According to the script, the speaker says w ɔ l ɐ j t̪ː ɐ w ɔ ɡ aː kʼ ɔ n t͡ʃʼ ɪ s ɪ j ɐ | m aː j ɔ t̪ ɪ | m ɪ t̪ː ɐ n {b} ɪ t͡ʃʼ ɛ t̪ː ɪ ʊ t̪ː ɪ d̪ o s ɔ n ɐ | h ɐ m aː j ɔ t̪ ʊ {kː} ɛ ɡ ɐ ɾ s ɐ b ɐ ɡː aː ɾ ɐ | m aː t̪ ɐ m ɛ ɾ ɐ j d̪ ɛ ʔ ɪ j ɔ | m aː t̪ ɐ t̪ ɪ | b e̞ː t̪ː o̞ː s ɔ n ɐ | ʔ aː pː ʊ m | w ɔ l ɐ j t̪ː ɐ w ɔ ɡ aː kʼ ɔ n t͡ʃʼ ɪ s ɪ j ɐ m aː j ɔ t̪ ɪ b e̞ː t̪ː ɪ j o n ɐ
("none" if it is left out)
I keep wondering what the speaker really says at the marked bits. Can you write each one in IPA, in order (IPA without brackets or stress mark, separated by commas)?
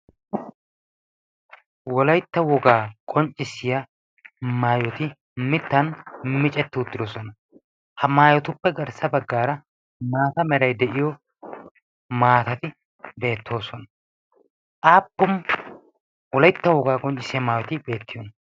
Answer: m, pː